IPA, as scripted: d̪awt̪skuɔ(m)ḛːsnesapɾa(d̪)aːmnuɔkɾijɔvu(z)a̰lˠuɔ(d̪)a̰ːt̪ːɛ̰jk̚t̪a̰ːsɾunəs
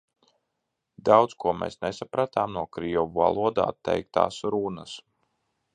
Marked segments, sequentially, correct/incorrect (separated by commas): correct, incorrect, incorrect, correct